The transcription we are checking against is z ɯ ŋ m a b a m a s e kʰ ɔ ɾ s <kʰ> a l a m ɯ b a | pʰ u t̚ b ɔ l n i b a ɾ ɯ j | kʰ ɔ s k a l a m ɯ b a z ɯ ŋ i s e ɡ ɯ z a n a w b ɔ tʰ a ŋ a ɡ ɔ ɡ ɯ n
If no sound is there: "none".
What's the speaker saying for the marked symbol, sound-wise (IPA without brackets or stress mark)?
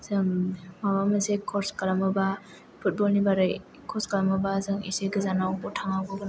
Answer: k